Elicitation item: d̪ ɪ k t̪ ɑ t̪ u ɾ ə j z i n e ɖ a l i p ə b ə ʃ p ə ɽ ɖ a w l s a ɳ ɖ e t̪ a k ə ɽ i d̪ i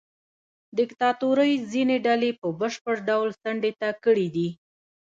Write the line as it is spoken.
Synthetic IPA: d̪ ɪ k t̪ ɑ t̪ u ɾ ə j z i n e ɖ a l e p ə b ə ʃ p ə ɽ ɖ a w l s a ɳ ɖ e t̪ a k ə ɽ i d̪ i